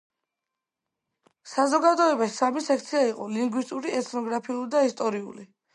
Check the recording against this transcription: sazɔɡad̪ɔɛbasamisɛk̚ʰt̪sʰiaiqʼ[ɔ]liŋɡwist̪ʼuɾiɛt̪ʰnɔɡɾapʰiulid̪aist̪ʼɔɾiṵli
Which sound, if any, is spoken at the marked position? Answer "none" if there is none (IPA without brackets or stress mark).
ɔ